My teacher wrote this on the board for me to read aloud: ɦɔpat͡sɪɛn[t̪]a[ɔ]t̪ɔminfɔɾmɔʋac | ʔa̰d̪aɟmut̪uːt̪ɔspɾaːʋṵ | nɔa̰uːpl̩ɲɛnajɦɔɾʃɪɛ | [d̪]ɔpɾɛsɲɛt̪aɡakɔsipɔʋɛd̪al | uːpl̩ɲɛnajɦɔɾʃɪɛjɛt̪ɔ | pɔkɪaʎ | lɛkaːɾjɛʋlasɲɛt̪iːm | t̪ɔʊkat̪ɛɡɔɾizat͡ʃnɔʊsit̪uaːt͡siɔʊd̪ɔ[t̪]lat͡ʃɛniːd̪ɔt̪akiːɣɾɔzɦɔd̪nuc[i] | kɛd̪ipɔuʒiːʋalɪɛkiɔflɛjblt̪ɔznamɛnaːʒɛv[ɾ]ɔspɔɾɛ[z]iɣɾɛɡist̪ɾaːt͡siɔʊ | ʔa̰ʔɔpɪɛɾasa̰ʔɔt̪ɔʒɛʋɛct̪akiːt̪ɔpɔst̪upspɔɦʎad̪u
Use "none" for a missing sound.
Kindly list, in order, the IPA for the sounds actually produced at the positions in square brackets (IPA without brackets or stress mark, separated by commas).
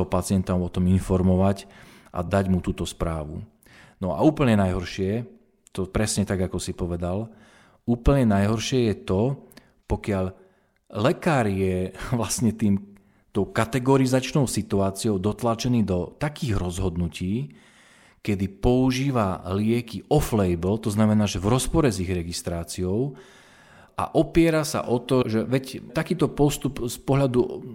t̪, ɔ, t̪, t̪, iː, ɾ, z